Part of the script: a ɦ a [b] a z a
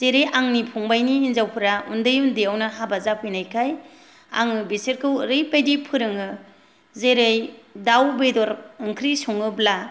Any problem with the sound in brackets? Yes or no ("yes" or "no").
no